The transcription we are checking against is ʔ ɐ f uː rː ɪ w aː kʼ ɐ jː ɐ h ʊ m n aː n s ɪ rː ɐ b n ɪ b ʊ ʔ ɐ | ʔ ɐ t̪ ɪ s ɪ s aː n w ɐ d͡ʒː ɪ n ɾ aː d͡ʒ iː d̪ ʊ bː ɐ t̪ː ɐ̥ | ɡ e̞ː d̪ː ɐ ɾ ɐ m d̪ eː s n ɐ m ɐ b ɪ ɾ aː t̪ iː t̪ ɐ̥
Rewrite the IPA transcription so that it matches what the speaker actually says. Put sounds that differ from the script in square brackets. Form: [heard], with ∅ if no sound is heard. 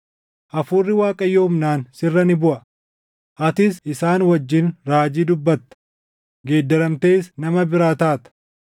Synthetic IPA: ʔ ɐ f uː rː ɪ w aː kʼ ɐ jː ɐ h ʊ m n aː n s ɪ rː ɐ [∅] n ɪ b ʊ ʔ ɐ | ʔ ɐ t̪ ɪ s ɪ s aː n w ɐ d͡ʒː ɪ n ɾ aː d͡ʒ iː d̪ ʊ bː ɐ t̪ː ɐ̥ | ɡ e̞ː d̪ː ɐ ɾ ɐ m [t̪] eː s n ɐ m ɐ b ɪ ɾ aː t̪ [aː] t̪ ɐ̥